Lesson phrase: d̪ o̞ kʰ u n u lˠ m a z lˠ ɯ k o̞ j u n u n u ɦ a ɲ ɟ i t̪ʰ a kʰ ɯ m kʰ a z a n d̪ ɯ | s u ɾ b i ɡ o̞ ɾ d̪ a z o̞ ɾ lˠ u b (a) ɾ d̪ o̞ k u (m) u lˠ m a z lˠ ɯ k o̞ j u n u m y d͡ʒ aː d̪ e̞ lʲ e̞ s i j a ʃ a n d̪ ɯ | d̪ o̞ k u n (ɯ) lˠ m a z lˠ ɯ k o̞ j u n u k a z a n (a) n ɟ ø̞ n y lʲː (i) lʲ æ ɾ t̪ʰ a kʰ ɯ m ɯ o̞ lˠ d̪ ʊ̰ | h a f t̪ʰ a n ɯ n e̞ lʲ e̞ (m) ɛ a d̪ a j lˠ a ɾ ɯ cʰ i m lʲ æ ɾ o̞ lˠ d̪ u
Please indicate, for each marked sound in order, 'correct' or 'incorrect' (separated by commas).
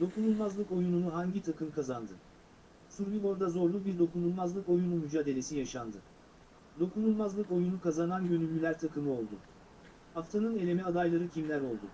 incorrect, incorrect, incorrect, correct, incorrect, correct